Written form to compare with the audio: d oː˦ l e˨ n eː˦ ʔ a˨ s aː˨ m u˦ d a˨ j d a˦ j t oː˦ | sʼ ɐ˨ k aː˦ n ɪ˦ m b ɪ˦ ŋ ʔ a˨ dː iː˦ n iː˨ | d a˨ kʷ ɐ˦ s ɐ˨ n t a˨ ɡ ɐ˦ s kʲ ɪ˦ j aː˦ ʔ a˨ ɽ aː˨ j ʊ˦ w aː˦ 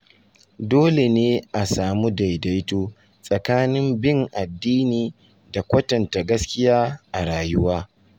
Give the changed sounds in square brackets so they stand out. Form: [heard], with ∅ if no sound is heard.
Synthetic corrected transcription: d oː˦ l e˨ n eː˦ ʔ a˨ s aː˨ m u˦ d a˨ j d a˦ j t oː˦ | sʼ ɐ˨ k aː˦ n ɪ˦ m b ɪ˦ ŋ ʔ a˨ dː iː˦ n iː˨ | d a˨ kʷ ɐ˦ [t] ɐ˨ n t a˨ ɡ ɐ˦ s kʲ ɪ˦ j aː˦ ʔ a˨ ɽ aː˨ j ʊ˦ w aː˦

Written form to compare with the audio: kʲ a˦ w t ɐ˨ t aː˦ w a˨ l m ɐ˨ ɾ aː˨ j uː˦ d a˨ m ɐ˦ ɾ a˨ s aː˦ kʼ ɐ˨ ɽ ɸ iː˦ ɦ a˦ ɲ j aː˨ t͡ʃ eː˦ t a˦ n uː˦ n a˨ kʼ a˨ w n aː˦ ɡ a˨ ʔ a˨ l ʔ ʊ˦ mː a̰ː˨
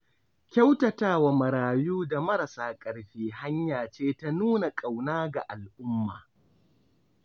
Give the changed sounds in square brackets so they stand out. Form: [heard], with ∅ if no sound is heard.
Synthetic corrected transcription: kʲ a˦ w t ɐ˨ t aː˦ w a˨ [∅] m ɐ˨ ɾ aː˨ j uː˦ d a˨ m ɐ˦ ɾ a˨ s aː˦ kʼ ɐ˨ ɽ ɸ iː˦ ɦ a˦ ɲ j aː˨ t͡ʃ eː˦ t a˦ n uː˦ n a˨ kʼ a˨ w n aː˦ ɡ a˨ ʔ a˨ l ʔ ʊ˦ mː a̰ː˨

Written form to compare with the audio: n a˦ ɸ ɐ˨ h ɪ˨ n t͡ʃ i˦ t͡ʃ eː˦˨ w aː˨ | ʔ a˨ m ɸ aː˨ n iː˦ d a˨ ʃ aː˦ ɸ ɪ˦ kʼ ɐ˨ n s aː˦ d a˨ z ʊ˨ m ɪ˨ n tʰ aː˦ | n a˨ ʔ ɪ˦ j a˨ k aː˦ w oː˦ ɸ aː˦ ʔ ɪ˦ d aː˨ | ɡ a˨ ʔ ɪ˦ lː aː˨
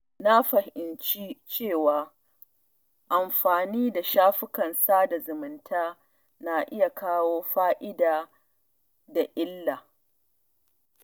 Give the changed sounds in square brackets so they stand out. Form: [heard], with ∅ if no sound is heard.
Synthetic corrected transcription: n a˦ ɸ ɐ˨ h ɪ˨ n t͡ʃ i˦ t͡ʃ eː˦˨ w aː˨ | ʔ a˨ m ɸ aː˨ n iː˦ d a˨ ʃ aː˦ ɸ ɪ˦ [k] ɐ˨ n s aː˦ d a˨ z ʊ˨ m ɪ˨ n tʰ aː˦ | n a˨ ʔ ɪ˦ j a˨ k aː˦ w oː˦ ɸ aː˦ ʔ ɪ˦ d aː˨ | [d] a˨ ʔ ɪ˦ lː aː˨

